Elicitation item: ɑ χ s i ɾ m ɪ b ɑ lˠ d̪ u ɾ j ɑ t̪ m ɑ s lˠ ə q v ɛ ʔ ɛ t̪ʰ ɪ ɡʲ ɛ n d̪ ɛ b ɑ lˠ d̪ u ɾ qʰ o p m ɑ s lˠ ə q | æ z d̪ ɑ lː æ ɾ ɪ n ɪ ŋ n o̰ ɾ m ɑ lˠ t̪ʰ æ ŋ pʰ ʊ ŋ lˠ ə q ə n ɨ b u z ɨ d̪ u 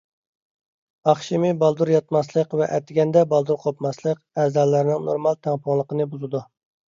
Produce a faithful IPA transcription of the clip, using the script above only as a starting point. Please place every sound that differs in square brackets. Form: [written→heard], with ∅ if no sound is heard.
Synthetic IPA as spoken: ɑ χ [s→ʃ] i [ɾ→∅] m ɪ b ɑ lˠ d̪ u ɾ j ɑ t̪ m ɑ s lˠ ə q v ɛ ʔ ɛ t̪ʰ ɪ ɡʲ ɛ n d̪ ɛ b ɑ lˠ d̪ u ɾ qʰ o p m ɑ s lˠ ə q | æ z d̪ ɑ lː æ ɾ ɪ n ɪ ŋ n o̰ ɾ m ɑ lˠ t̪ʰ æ ŋ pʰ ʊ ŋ lˠ ə q ə n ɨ b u z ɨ d̪ u